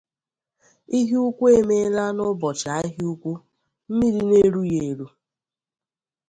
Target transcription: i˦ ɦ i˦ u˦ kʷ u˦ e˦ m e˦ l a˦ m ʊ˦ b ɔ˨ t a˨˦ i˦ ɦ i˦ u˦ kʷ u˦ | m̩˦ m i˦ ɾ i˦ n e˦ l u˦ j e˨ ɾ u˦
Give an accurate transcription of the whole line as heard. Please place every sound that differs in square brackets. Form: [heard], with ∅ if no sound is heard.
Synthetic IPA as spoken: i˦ ɦ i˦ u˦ kʷ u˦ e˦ m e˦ l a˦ [n] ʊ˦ b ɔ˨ [t͡ʃ] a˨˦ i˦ ɦ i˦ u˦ kʷ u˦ | m̩˦ m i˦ ɾ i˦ n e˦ [ɾ] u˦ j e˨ ɾ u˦